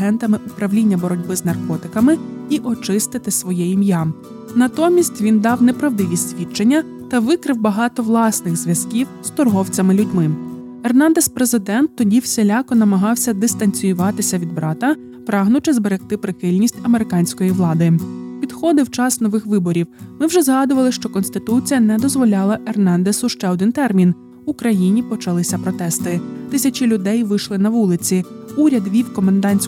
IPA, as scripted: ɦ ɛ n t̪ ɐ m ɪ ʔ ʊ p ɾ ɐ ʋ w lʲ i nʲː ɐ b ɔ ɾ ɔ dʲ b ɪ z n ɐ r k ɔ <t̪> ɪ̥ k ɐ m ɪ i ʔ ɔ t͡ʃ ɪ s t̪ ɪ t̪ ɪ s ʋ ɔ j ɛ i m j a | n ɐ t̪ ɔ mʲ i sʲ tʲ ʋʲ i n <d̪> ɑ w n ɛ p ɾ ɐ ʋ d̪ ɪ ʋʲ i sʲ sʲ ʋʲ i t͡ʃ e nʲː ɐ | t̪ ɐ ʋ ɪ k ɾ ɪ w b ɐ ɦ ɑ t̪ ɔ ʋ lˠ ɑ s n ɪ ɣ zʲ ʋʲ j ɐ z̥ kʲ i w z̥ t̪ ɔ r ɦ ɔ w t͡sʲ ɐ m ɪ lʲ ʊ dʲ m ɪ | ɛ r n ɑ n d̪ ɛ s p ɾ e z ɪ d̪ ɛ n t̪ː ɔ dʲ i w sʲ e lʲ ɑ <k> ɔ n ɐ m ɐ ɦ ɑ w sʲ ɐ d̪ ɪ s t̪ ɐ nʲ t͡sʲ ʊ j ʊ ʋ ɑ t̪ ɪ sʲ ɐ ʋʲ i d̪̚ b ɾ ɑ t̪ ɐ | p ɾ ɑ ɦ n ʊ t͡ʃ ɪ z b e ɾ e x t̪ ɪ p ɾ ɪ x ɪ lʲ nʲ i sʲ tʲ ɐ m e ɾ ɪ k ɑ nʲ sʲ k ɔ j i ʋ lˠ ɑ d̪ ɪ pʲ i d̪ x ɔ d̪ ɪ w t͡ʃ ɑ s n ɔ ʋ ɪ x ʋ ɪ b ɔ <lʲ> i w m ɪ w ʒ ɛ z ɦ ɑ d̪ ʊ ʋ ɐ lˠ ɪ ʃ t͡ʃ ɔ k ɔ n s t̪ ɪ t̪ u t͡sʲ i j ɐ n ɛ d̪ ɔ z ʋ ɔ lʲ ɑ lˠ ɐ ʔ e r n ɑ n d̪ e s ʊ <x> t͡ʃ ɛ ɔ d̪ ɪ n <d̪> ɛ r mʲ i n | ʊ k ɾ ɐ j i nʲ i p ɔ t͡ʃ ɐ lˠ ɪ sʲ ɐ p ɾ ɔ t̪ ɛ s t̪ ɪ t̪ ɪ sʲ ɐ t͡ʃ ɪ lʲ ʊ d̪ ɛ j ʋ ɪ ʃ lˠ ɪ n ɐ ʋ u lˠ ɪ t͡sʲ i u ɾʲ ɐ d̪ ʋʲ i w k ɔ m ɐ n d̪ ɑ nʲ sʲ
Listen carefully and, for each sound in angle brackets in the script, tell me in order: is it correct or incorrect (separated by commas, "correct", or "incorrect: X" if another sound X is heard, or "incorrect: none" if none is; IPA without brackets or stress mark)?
correct, correct, correct, incorrect: ɾʲ, incorrect: ʃ, incorrect: t̪